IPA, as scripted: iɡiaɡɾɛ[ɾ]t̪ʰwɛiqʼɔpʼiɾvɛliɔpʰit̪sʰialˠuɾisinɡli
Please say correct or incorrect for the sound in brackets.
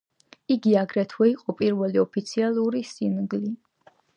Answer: incorrect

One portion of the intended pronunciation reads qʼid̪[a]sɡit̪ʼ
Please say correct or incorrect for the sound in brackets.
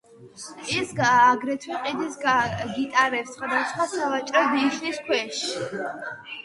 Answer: incorrect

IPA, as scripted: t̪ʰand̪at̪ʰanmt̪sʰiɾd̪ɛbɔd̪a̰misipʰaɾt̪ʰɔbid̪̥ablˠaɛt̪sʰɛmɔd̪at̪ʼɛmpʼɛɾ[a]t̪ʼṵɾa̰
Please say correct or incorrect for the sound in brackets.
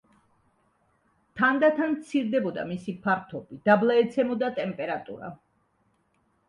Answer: correct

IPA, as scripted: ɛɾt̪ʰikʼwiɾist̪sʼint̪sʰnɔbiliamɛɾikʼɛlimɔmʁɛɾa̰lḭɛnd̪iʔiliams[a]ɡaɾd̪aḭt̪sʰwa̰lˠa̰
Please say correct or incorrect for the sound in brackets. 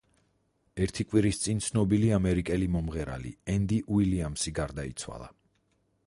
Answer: incorrect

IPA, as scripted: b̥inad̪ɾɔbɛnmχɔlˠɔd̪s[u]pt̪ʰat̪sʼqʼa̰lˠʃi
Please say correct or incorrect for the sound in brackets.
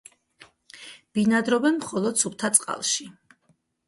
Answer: correct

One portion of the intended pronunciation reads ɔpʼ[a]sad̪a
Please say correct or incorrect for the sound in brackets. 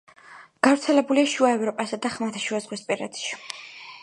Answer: correct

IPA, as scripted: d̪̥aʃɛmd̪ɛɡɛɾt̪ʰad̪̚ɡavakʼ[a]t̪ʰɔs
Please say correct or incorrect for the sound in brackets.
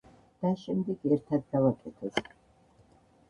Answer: incorrect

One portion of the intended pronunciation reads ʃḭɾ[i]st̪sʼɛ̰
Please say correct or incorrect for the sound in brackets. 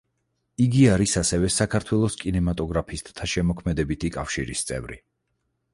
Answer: correct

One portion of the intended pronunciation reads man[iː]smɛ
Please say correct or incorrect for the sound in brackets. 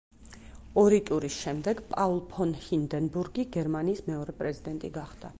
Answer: correct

